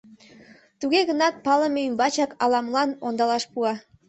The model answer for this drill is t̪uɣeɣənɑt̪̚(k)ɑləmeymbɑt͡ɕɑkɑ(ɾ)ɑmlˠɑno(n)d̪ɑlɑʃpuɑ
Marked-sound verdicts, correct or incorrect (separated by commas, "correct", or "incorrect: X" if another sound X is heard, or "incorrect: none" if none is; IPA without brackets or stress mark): incorrect: p, incorrect: l, correct